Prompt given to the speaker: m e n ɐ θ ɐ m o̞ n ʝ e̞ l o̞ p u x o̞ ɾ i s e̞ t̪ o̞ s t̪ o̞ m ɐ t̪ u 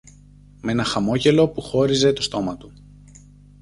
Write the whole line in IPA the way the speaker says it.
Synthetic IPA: m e n ɐ x ɐ m o̞ ʝ e̞ l o̞ p u x o̞ ɾ i z e̞ t̪ o̞ s t̪ o̞ m ɐ t̪ u